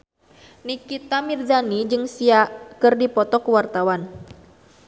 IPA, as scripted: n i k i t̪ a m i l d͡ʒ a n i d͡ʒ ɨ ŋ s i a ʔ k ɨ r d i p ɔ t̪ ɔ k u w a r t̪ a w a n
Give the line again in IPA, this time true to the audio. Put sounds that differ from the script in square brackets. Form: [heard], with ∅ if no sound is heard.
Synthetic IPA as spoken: n i k i t̪ a m i [r] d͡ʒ a n i d͡ʒ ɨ ŋ s i a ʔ k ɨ r d i p ɔ t̪ ɔ k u w a r t̪ a w a n